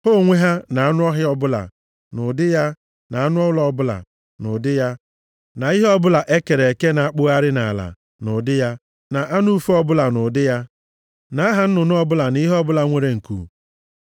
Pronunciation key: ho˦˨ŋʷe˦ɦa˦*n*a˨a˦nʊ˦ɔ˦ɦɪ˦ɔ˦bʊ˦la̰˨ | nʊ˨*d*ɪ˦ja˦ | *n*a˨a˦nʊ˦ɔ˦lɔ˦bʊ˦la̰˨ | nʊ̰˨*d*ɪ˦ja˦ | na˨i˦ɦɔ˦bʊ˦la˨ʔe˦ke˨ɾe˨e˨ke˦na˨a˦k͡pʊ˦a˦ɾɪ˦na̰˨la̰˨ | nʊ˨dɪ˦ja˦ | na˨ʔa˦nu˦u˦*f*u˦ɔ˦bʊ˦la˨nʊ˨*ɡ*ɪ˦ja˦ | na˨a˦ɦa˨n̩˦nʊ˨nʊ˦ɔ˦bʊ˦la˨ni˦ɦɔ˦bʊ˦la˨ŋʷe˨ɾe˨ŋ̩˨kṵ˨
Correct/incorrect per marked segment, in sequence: correct, correct, correct, correct, correct, incorrect: d

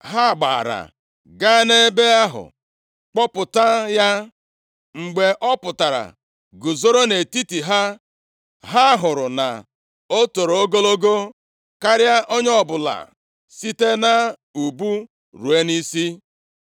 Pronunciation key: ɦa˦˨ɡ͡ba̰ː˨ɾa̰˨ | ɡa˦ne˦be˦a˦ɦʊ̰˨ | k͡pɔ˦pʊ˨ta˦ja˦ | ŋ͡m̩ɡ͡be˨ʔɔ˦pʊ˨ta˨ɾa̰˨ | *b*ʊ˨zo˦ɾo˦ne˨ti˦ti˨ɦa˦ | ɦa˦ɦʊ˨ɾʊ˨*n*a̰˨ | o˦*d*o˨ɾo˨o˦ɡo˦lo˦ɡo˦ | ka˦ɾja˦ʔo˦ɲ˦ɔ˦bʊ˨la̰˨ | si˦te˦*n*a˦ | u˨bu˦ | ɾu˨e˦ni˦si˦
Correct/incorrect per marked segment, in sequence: incorrect: ɡ, correct, incorrect: t, correct

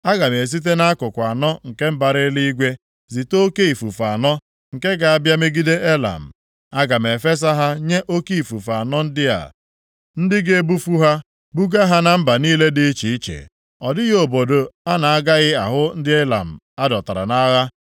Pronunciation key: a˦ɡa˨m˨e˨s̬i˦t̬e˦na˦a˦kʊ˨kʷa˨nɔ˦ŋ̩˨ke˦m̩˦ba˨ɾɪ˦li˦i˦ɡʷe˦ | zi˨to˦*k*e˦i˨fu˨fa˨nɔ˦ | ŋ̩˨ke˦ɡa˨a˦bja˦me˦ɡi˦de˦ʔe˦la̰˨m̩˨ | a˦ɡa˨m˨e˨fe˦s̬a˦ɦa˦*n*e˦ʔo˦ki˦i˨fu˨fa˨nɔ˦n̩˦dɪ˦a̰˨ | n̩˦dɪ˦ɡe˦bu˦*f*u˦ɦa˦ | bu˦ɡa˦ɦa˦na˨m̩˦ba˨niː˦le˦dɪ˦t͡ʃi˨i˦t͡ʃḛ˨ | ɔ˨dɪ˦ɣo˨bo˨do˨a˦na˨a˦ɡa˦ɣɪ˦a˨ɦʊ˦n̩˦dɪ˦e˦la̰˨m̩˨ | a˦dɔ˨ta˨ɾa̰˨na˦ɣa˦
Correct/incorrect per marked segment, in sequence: correct, incorrect: ɲ, correct

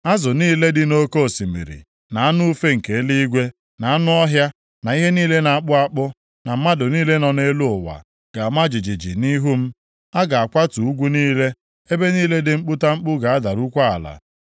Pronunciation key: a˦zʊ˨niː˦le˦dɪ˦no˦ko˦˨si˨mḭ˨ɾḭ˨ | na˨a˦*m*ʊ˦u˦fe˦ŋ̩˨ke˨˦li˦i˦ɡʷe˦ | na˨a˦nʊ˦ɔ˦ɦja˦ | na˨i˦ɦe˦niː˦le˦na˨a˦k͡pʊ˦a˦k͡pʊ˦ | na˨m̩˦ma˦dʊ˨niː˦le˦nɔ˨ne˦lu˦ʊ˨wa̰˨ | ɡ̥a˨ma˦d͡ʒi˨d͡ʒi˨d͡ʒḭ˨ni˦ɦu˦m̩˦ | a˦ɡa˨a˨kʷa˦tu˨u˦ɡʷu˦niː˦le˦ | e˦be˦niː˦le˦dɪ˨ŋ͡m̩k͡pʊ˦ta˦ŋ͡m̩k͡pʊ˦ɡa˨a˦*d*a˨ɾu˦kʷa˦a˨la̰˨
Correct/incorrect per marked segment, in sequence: incorrect: n, correct

